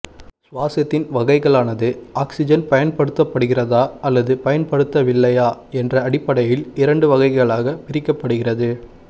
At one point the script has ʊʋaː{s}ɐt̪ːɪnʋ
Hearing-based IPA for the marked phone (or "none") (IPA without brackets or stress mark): s